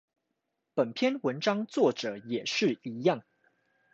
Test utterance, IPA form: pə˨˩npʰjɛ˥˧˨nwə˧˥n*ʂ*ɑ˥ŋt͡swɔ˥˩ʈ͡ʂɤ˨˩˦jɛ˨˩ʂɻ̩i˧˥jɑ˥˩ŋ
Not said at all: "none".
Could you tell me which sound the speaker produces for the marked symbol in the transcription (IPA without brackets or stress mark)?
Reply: ʈ͡ʂ